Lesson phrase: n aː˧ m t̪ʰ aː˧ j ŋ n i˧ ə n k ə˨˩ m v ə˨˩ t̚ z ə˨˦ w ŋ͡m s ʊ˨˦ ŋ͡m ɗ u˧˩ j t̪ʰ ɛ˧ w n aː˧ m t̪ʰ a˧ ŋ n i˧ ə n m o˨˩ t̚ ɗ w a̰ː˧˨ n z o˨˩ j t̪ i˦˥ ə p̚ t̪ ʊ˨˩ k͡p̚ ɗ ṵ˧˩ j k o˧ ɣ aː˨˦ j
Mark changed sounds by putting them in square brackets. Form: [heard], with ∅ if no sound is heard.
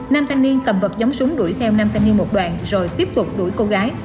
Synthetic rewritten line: n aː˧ m t̪ʰ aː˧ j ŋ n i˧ ə n k ə˨˩ m v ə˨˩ t̚ z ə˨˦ w ŋ͡m s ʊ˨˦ ŋ͡m ɗ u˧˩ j t̪ʰ ɛ˧ w n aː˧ m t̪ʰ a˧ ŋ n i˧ ə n m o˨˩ t̚ ɗ w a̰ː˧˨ n z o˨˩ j t̪ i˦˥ ə p̚ t̪ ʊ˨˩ k͡p̚ ɗ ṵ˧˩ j k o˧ ɣ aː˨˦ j